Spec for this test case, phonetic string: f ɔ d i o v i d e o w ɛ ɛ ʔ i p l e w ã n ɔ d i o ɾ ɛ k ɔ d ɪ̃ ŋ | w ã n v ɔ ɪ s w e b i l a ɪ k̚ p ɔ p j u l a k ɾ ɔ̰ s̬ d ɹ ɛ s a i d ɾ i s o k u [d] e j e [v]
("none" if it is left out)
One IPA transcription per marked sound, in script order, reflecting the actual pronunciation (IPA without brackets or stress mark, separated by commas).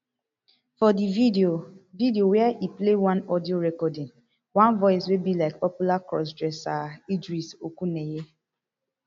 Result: n, none